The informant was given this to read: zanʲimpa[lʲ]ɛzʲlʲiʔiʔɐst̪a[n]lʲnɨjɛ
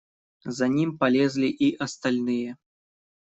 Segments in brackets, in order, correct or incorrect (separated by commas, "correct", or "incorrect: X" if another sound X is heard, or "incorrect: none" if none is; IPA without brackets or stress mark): correct, incorrect: none